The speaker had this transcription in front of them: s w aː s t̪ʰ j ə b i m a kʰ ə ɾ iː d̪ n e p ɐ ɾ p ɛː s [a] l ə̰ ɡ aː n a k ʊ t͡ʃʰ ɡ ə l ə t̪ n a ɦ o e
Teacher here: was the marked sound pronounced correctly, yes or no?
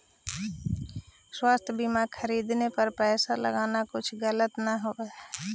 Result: yes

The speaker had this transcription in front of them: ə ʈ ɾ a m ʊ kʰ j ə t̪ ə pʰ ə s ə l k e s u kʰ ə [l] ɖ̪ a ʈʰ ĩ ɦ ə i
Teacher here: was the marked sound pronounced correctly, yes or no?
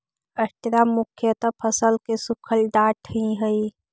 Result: yes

